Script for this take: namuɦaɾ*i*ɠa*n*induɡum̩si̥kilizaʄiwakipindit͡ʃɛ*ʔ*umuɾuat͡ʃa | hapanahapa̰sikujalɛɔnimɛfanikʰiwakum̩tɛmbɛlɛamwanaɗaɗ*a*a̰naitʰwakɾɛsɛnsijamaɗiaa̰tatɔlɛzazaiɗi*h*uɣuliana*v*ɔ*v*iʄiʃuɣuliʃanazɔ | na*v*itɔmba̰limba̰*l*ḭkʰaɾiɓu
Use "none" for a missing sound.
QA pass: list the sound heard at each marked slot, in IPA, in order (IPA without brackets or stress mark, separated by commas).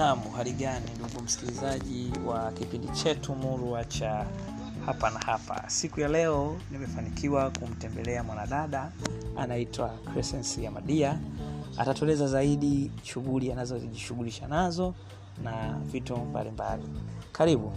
i, n, t, a, ʃ, z, z, v, l